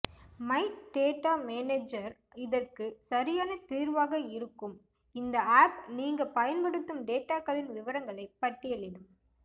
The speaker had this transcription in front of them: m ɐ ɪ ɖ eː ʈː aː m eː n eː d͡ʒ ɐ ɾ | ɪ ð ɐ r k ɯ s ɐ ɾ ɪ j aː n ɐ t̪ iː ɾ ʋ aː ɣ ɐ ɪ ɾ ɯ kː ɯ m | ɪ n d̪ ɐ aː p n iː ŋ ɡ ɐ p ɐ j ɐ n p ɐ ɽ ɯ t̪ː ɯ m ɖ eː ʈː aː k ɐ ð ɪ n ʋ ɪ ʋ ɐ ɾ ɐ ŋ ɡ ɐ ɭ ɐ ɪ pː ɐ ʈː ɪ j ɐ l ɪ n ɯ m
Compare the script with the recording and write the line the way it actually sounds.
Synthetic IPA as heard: m ɐ ɪ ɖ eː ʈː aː m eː n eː d͡ʒ ɐ ɾ | ɪ ð ɐ r k ɯ s ɐ ɾ ɪ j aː n ɐ t̪ iː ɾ ʋ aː ɣ ɐ ɪ ɾ ɯ kː ɯ m | ɪ n d̪ ɐ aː p n iː ŋ ɡ ɐ p ɐ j ɐ n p ɐ ɽ ɯ t̪ː ɯ m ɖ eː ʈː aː k ɐ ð ɪ n ʋ ɪ ʋ ɐ ɾ ɐ ŋ ɡ ɐ ɭ ɐ ɪ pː ɐ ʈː ɪ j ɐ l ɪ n ɯ m